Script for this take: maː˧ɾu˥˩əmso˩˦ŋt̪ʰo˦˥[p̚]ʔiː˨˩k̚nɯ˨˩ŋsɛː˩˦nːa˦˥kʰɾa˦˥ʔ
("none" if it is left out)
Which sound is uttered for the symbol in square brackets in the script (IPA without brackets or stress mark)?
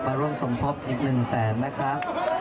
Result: p̚